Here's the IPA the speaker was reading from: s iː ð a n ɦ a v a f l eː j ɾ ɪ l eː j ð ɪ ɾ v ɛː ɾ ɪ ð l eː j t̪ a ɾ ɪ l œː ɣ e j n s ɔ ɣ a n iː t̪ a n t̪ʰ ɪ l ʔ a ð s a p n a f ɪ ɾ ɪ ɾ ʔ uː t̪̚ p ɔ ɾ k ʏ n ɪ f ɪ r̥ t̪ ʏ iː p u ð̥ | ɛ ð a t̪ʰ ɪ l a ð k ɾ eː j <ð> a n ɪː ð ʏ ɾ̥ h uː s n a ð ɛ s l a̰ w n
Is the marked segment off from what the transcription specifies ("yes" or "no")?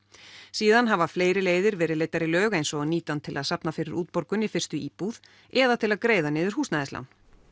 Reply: no